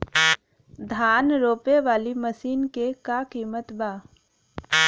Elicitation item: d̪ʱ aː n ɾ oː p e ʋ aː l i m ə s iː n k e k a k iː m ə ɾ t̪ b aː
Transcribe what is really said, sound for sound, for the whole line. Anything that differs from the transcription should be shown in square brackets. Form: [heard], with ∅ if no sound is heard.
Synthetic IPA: d̪ʱ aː n ɾ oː p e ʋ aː l i m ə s iː n k e k a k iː m ə [∅] t̪ b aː